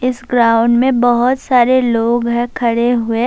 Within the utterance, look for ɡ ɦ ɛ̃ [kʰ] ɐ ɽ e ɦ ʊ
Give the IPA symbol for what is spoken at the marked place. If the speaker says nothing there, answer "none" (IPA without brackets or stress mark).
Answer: kʰ